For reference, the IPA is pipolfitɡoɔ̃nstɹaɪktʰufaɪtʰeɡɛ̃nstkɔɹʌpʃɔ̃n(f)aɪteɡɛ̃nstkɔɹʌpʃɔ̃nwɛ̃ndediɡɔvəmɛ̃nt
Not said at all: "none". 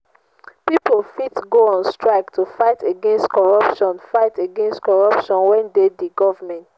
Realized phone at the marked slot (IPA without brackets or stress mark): f